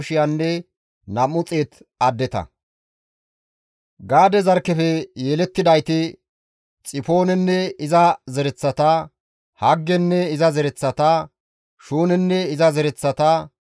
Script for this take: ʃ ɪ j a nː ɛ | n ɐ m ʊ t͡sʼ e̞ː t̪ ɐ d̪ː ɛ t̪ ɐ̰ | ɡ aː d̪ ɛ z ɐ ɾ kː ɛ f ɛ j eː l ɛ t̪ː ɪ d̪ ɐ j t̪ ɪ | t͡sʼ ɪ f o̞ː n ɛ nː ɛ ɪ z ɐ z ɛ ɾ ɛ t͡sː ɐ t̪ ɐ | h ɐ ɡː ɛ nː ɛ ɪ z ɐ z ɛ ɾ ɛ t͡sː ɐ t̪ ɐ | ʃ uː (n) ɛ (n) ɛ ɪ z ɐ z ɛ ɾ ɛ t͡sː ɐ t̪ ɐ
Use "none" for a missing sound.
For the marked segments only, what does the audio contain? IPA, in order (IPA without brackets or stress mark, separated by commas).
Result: n, nː